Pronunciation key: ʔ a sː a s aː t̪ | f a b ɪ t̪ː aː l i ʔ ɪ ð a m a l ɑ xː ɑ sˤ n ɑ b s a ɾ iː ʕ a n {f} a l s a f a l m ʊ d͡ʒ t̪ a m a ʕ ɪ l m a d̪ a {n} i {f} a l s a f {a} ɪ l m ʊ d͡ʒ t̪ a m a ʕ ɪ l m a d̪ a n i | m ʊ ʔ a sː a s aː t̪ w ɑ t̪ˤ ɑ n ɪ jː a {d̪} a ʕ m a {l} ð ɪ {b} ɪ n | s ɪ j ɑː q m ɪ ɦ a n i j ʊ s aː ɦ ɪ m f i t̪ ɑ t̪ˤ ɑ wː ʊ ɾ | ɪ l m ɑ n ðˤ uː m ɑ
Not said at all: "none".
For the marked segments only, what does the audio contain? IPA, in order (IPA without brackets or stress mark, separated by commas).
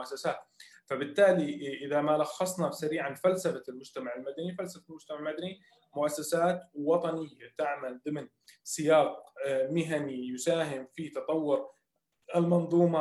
f, n, f, a, t̪, l, m